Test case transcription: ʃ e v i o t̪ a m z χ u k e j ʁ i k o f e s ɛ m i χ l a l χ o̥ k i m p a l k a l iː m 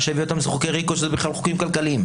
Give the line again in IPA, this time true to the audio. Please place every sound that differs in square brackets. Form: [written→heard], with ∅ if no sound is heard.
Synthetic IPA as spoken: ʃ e v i o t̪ a m z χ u k e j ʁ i k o [f→ʃ] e [s→z] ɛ [m→b] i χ l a l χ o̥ k i m [p→k] a l k a l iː m